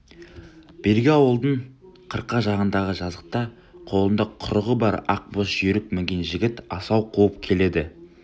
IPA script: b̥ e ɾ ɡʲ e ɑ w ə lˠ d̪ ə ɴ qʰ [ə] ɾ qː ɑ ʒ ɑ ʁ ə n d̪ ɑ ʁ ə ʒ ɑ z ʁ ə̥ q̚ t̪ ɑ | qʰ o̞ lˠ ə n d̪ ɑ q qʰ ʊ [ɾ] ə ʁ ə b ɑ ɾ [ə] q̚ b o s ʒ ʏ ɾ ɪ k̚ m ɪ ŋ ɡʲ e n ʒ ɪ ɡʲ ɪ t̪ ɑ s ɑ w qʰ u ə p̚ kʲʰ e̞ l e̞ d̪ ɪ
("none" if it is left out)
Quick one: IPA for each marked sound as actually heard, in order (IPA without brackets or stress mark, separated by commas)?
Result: ə, ɾ, ɑ